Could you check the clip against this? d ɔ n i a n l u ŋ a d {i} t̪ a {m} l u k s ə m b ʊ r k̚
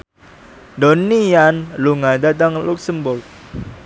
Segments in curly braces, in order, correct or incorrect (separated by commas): incorrect, incorrect